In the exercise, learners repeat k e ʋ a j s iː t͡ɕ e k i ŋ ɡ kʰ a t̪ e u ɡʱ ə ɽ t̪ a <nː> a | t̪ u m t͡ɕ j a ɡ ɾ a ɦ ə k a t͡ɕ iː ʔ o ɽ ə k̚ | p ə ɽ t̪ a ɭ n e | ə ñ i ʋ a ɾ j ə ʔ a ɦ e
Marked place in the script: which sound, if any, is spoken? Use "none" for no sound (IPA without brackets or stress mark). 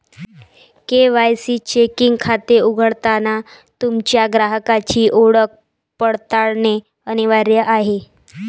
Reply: n